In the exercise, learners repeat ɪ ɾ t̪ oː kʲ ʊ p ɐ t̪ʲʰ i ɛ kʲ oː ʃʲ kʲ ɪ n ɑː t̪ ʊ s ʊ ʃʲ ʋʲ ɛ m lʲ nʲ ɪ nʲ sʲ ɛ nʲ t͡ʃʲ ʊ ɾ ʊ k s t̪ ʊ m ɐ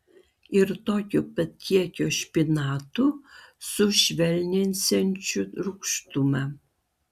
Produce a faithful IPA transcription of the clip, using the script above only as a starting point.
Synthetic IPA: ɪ ɾ t̪ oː kʲ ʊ p ɐ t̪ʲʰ i ɛ kʲ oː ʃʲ pʲ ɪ n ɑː t̪ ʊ s ʊ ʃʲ ʋʲ ɛ lʲ nʲ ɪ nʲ sʲ ɛ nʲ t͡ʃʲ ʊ ɾ ʊ k ʃ t̪ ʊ m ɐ